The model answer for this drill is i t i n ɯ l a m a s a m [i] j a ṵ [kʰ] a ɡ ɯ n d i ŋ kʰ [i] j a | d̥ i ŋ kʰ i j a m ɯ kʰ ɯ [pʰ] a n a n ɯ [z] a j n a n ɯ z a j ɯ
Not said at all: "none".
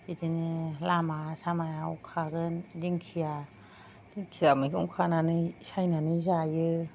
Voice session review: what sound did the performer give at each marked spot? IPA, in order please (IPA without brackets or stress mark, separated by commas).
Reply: a, kʰ, i, kʰ, s